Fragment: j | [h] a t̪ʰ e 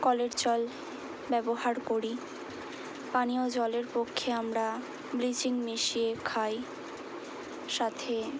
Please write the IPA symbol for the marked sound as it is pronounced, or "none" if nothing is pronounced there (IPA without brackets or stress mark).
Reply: ʃ